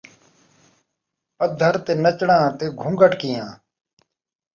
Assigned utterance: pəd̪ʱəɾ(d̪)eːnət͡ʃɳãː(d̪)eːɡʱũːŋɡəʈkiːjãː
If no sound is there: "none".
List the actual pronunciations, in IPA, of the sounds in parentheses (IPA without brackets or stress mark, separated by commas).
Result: t̪, t̪